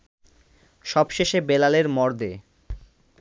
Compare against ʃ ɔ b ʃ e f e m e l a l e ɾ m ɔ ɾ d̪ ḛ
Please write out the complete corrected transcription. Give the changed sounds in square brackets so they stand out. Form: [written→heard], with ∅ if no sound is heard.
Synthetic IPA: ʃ ɔ b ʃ e [f→ʃ] e [m→b] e l a l e ɾ m ɔ ɾ d̪ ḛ